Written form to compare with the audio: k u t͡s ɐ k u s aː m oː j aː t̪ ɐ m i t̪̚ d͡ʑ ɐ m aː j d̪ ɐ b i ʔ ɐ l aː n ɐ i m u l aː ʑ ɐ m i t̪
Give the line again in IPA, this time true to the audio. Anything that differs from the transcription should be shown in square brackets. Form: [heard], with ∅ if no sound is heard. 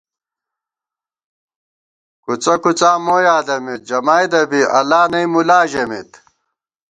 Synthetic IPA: k u t͡s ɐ k u [t͡s] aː m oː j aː [d̪] ɐ m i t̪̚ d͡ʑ ɐ m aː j d̪ ɐ b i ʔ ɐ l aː n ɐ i m u l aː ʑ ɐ m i t̪

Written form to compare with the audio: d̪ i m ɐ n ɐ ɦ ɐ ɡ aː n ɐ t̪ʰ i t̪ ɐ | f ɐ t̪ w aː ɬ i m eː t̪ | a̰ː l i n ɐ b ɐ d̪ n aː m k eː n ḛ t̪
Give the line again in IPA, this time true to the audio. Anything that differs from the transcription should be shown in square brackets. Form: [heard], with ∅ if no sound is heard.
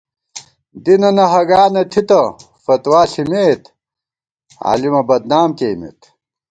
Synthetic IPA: d̪ i [n] ɐ n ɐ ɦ ɐ ɡ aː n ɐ t̪ʰ i t̪ ɐ | f ɐ t̪ w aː ɬ i m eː t̪ | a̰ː l i [m] ɐ b ɐ d̪ n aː m k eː [m] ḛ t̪

